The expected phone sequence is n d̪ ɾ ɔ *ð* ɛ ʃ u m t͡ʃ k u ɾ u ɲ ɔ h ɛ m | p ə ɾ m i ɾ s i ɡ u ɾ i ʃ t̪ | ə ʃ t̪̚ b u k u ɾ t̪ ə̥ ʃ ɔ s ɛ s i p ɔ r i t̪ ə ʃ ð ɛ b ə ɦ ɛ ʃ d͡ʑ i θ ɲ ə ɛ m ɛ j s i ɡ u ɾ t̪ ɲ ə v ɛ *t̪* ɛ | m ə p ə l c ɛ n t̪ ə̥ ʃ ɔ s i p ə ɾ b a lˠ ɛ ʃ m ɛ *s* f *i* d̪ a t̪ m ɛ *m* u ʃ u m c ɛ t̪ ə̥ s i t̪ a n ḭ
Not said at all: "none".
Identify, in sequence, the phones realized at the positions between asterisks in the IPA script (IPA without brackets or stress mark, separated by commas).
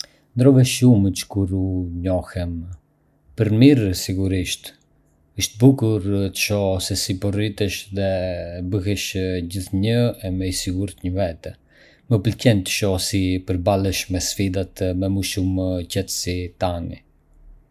v, t̪, s, i, m